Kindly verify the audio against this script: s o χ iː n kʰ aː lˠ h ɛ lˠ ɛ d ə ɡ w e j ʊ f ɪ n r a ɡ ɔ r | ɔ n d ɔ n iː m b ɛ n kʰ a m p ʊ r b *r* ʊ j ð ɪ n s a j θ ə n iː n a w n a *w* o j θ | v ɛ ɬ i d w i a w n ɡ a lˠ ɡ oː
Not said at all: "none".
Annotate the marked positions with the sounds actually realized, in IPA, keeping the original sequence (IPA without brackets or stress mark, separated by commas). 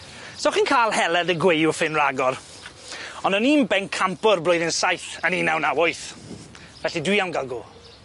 l, w